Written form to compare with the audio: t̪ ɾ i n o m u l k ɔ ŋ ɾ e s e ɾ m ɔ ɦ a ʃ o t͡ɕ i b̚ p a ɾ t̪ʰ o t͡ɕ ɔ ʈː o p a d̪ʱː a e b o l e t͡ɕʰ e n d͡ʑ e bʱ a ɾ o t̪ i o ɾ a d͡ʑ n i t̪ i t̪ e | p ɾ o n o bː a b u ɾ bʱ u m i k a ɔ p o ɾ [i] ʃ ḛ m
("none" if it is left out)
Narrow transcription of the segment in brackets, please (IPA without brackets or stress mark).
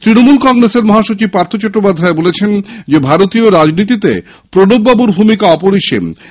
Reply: i